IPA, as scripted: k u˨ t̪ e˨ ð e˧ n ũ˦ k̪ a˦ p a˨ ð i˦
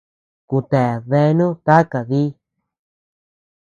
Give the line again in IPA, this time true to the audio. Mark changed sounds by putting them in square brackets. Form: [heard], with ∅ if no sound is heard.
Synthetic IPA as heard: k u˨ t̪ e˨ ð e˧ n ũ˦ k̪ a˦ [k] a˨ ð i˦